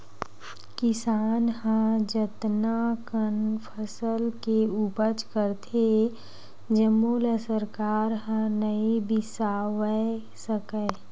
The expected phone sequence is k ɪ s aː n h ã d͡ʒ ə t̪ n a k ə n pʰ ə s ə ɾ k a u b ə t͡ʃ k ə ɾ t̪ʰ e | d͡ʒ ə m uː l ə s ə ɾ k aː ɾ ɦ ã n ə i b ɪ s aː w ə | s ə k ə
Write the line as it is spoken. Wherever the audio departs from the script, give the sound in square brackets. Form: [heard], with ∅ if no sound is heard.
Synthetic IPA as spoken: k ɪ s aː n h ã d͡ʒ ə t̪ n a k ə n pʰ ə s ə [l] k [e] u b ə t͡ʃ k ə ɾ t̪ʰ e | d͡ʒ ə m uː l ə s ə ɾ k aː ɾ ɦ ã n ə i b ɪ s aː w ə | s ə k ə